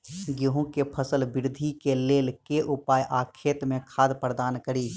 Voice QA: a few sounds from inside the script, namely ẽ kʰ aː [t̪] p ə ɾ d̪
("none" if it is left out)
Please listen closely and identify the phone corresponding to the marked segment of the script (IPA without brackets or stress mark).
d̪